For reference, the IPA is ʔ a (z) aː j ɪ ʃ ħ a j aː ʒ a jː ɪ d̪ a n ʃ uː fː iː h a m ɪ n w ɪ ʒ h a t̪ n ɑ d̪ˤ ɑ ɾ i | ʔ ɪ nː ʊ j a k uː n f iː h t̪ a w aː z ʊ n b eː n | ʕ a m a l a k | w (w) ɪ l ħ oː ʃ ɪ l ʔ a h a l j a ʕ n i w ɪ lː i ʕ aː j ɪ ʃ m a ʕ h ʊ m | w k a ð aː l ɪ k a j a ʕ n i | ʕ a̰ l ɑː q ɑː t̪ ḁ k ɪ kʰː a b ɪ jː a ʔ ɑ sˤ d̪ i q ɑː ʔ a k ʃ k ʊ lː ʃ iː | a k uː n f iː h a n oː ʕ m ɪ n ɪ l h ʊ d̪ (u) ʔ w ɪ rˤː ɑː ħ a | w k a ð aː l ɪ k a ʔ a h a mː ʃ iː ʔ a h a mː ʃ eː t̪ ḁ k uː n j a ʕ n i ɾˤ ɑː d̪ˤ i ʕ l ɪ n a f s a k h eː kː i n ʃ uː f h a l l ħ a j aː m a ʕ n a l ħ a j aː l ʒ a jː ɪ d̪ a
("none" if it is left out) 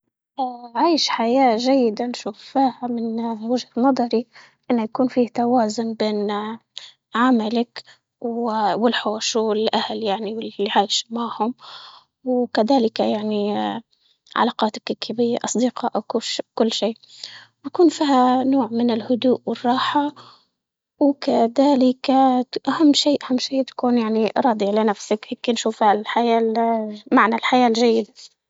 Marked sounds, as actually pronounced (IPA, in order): ʕ, w, uː

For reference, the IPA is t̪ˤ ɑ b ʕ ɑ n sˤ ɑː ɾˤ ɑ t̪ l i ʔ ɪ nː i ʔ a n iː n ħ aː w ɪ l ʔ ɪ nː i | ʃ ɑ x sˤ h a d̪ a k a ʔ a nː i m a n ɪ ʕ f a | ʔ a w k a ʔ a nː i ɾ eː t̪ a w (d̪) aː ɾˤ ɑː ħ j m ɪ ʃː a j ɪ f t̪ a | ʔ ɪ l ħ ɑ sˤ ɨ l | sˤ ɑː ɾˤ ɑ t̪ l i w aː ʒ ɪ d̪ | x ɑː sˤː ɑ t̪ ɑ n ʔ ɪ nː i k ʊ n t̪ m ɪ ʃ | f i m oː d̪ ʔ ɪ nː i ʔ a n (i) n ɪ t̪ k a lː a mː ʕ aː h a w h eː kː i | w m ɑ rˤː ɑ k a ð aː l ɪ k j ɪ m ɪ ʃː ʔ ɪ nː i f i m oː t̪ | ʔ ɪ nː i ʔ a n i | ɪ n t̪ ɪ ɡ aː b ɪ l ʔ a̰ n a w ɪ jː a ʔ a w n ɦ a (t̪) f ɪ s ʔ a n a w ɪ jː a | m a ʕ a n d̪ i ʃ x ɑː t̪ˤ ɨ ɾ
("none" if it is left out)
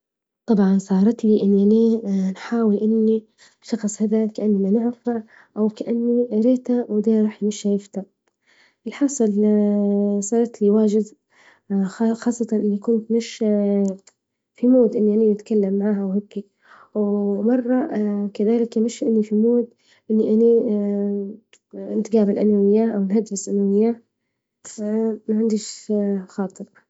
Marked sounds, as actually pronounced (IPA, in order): d̪, i, d̪

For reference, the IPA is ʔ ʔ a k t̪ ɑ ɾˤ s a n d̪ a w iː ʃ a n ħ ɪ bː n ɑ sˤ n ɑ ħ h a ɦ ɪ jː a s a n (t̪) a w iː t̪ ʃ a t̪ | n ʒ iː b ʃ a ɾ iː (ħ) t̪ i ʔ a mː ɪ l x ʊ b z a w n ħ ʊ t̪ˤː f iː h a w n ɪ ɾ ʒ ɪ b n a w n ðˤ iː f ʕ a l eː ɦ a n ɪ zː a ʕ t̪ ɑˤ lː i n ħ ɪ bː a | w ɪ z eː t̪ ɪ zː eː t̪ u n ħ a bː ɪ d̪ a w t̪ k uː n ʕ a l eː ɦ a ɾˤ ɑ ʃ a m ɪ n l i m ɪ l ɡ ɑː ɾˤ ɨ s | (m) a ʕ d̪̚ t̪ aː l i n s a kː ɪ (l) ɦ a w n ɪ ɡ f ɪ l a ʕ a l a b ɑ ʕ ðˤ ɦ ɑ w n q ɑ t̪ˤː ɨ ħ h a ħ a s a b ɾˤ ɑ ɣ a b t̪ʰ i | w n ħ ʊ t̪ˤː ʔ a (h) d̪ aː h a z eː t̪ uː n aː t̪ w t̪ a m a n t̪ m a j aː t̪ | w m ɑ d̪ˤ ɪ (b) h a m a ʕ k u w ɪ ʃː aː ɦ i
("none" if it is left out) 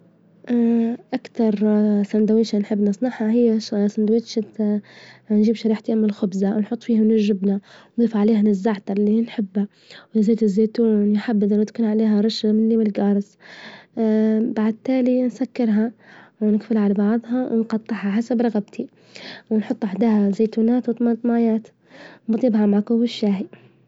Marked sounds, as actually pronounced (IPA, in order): d̪, ħ, b, ɾ, ħ, b

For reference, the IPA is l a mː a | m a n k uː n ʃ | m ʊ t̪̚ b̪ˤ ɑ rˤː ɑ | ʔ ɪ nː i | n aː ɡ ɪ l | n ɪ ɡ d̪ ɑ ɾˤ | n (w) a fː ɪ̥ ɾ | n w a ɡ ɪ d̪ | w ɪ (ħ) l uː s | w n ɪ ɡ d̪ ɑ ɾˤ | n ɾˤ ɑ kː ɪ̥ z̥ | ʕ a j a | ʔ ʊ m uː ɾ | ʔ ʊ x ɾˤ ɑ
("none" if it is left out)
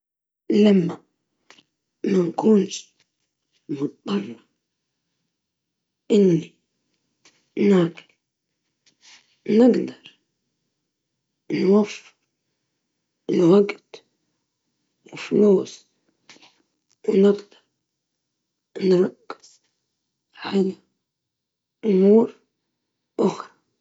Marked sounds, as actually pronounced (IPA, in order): w, f

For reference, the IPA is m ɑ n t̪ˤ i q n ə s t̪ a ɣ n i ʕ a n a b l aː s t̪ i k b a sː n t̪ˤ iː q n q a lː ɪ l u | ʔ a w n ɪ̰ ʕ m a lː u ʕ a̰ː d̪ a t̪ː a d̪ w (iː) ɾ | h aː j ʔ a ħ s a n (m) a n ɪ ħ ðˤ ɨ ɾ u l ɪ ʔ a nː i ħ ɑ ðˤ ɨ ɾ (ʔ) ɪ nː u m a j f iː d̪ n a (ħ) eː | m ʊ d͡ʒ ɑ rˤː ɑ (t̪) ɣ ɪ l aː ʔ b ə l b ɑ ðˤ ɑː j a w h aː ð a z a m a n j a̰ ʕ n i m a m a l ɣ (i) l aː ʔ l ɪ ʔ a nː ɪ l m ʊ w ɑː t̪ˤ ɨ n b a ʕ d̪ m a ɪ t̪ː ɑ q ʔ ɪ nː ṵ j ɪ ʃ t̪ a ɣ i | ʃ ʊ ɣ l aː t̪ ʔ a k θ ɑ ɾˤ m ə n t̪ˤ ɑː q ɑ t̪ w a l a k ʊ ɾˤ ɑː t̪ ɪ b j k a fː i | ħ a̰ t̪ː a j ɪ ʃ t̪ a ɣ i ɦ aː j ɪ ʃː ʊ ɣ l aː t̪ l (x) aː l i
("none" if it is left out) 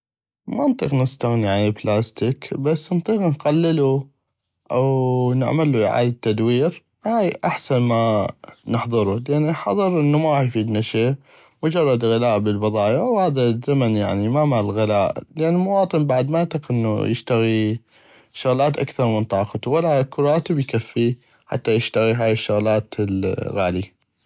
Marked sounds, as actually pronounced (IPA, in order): iː, m, ʔ, ʃ, d̪, ɪ, ɣ

